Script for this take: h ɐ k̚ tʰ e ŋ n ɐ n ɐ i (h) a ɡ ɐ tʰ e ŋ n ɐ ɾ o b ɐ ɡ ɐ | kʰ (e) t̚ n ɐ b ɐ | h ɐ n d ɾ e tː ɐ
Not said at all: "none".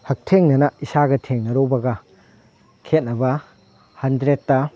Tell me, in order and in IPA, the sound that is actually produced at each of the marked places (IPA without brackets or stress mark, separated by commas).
s, e